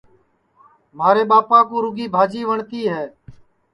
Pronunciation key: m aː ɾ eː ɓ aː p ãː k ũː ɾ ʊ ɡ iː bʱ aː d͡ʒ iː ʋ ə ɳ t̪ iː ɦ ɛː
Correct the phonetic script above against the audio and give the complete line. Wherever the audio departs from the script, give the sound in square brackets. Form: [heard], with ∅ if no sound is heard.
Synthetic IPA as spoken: m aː ɾ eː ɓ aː p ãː k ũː ɾ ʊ ɡ iː bʱ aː d͡ʒ iː ʋ ə ɳ t̪ iː ɦ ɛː